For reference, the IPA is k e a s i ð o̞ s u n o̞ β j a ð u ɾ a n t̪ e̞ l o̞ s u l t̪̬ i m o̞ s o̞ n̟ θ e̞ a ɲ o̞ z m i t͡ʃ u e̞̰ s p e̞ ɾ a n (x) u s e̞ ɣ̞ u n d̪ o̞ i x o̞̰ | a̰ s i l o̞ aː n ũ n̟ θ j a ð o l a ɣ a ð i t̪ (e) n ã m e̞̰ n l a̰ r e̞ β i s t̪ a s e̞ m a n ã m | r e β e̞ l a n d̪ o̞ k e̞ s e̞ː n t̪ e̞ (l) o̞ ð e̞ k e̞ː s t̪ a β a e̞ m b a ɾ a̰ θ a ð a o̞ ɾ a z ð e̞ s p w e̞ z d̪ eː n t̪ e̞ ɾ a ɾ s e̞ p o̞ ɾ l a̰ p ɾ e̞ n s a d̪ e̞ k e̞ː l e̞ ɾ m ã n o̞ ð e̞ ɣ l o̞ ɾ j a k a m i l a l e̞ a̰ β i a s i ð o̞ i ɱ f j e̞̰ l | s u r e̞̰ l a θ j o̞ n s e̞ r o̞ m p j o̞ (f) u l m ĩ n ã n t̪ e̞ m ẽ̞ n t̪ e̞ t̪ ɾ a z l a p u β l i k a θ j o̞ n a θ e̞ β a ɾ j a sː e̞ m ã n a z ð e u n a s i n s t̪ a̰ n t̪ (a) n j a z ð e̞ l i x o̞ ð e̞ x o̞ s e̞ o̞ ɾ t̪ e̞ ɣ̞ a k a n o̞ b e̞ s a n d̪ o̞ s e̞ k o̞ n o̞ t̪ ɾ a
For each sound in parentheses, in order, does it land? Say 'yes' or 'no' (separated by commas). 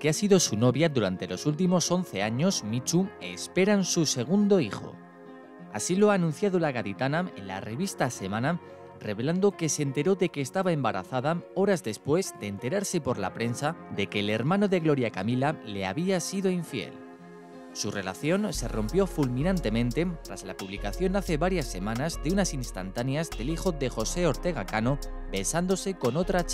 no, no, no, yes, yes